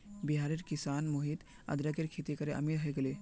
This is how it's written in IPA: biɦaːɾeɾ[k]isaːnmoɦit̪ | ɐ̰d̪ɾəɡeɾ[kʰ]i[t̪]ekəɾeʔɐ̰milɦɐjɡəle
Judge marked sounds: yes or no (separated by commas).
yes, yes, yes